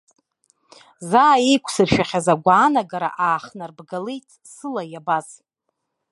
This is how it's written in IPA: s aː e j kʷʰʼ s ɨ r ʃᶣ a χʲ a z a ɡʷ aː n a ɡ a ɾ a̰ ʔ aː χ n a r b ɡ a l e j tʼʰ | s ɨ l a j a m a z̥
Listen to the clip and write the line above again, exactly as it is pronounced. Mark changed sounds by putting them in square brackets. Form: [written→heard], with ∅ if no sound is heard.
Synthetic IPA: [s→z] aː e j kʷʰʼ s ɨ r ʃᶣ a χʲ a z a ɡʷ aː n a ɡ a ɾ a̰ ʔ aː χ n a r b ɡ a l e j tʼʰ | s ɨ l a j a [m→b] a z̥